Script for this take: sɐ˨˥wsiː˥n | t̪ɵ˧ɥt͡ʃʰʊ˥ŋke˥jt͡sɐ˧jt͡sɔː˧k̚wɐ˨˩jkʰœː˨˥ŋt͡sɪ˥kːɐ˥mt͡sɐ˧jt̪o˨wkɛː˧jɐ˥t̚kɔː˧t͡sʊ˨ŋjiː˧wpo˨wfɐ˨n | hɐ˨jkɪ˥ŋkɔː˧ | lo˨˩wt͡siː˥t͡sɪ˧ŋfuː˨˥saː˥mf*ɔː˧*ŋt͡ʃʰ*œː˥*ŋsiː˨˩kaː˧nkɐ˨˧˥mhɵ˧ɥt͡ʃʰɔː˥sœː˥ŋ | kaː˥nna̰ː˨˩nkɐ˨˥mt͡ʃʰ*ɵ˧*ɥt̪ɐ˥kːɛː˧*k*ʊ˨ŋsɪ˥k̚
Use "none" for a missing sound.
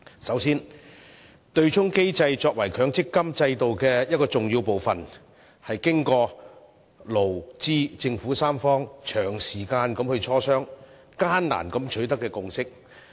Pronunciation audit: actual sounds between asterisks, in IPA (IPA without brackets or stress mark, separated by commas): ɔː˥, œː˨˩, ɵ˨˥, k